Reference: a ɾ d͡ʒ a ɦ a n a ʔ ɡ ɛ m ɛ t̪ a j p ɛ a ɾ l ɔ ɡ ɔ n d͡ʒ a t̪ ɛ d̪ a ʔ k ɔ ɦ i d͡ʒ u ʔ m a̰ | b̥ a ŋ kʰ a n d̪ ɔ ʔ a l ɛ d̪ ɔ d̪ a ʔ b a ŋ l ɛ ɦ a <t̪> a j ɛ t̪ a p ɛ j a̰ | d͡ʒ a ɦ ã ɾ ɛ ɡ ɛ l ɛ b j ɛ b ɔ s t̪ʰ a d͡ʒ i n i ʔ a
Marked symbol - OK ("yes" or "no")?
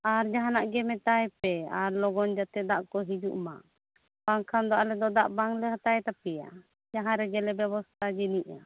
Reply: yes